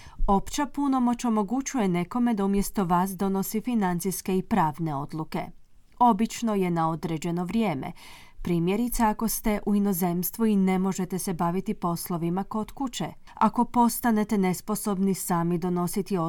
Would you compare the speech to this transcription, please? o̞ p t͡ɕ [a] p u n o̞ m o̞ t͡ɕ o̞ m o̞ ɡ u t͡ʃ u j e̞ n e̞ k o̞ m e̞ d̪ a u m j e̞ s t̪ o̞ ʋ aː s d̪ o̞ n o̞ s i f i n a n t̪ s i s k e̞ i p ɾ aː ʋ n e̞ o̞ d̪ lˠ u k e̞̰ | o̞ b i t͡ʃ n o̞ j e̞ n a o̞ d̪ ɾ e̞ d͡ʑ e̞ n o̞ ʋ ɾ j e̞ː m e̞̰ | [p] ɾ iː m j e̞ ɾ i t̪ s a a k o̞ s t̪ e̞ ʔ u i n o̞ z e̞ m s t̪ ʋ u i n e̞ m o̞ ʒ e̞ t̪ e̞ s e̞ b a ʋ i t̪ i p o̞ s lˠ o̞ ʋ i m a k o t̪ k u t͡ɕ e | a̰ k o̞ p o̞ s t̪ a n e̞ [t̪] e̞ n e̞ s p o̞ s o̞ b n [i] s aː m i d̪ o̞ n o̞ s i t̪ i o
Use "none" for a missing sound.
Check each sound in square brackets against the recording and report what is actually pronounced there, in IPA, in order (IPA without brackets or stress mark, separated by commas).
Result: a, p, t̪, i